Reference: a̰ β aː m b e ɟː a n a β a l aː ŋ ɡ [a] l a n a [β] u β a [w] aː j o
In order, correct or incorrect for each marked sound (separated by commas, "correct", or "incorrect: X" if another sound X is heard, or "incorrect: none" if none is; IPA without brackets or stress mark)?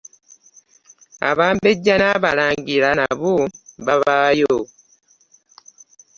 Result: incorrect: i, correct, incorrect: β